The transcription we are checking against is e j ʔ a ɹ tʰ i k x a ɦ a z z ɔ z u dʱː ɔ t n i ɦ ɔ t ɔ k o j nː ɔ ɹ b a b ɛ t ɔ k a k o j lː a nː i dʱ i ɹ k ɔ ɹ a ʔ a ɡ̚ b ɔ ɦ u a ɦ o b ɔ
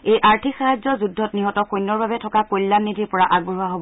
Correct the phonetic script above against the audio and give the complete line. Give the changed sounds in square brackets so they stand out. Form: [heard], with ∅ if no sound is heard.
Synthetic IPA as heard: e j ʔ a ɹ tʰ i k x a ɦ a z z ɔ z u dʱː ɔ t n i ɦ ɔ t ɔ k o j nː ɔ ɹ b a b ɛ [tʰ] ɔ k a k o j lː a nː i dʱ i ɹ [p] ɔ ɹ a ʔ a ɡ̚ b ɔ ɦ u a ɦ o b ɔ